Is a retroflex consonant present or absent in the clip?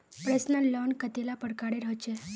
present